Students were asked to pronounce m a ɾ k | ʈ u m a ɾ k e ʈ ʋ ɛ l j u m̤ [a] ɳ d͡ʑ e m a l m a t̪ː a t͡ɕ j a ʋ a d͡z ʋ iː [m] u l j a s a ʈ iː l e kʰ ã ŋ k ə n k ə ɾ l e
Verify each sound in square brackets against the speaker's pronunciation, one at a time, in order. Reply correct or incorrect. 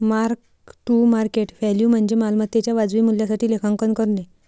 incorrect: ə, correct

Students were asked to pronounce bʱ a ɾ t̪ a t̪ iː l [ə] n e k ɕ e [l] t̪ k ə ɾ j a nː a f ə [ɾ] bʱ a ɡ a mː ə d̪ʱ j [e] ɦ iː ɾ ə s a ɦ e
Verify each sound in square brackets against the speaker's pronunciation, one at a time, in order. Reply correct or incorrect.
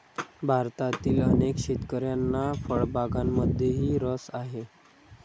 correct, incorrect: none, incorrect: ɭ, correct

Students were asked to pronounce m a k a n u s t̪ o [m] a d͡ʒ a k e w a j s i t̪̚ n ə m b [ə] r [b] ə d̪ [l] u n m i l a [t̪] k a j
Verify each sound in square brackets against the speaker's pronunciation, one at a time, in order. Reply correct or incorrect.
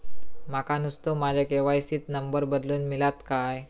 correct, correct, correct, correct, correct

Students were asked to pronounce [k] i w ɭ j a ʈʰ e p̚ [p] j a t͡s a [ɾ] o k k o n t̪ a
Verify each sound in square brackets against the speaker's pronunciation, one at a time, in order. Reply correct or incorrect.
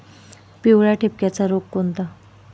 incorrect: p, incorrect: k, correct

